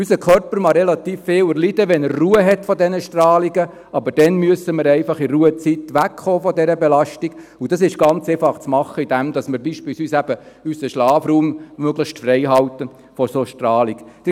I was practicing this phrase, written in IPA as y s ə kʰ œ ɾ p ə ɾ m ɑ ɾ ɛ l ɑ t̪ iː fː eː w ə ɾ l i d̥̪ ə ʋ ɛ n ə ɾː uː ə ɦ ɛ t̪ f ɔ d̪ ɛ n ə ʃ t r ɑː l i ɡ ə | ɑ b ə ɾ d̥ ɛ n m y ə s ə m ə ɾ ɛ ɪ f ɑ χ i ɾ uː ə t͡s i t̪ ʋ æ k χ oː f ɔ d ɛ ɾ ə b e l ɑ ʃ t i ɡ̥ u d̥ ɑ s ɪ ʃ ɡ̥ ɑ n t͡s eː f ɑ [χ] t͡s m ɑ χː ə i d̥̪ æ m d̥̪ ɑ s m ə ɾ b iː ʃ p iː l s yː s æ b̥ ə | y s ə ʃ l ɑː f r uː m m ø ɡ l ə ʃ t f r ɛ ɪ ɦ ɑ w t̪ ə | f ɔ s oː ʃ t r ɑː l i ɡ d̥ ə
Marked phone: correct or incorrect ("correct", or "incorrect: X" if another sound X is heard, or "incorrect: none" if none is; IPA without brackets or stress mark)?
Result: correct